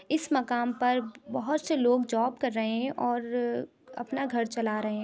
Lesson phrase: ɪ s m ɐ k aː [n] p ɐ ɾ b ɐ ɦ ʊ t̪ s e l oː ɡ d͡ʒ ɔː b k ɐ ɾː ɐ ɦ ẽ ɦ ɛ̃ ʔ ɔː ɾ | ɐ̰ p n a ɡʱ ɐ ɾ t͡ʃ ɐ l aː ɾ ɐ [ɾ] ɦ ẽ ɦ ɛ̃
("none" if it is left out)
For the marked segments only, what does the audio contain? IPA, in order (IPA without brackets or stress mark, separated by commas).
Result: m, none